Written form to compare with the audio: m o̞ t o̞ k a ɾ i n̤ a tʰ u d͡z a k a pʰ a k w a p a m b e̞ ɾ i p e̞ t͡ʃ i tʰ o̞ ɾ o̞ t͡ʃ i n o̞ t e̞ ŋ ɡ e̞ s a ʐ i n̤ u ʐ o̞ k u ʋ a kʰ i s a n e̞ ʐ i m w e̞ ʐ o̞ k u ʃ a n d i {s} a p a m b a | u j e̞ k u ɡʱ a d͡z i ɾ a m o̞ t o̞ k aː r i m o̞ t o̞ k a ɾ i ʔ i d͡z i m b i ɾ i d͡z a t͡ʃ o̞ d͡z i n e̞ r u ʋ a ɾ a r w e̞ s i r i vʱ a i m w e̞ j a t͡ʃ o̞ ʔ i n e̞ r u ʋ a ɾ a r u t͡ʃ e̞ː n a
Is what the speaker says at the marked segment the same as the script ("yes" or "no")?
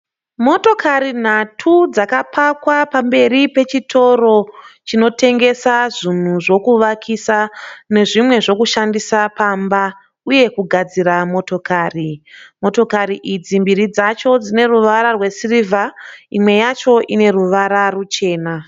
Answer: yes